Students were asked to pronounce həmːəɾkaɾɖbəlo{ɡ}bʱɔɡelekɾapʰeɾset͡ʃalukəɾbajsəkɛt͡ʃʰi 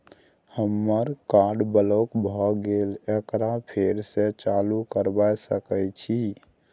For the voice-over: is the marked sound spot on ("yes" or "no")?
no